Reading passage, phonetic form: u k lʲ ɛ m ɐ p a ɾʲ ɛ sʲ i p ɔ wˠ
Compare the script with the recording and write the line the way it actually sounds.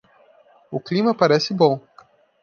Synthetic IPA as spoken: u k lʲ i m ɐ p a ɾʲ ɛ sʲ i b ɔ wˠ